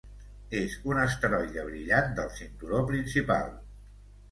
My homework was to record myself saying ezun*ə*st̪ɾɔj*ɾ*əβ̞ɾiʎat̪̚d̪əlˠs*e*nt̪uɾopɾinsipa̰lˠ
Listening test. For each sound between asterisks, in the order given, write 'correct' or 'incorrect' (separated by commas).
correct, incorrect, incorrect